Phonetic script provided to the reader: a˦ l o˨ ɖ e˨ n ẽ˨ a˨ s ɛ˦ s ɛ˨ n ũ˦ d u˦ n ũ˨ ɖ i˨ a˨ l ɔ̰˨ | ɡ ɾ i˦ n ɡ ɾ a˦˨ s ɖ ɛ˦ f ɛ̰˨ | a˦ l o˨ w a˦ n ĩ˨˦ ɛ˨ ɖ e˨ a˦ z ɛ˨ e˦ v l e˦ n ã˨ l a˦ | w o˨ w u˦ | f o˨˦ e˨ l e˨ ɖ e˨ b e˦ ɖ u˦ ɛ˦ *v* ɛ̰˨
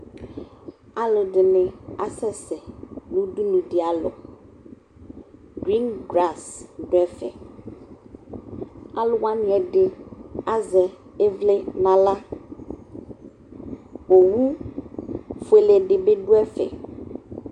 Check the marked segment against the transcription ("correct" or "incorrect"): incorrect